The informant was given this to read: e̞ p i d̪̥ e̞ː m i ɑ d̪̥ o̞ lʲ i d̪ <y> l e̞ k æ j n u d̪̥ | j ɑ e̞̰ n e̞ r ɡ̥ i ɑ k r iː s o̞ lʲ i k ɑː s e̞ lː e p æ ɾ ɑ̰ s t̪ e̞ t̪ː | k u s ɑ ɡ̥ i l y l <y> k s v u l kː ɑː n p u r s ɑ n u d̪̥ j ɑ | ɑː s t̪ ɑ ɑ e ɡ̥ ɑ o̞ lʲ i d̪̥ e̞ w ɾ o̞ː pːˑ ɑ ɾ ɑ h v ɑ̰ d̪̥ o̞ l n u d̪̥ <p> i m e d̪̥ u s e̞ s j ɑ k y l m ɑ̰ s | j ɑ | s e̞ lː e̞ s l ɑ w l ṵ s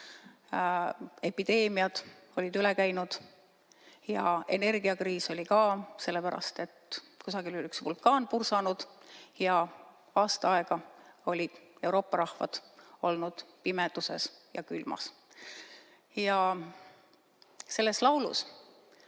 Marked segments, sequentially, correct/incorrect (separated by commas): correct, correct, correct